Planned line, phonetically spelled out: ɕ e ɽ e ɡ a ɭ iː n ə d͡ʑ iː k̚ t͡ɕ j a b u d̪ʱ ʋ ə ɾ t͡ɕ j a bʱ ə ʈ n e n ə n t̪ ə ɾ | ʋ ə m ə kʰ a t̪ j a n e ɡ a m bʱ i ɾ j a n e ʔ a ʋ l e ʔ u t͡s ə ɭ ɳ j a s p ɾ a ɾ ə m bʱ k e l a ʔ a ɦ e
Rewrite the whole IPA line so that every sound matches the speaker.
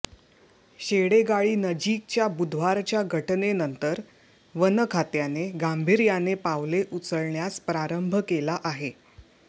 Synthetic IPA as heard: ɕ e ɽ e ɡ a ɭ iː n ə d͡ʑ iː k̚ t͡ɕ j a b u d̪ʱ ʋ a ɾ t͡ɕ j a ɡʱ ə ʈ n e n ə n t̪ ə ɾ | ʋ ə n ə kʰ a t̪ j a n e ɡ a m bʱ i ɾ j a n e p a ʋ l e ʔ u t͡s ə ɭ ɳ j a s p ɾ a ɾ ə m bʱ k e l a ʔ a ɦ e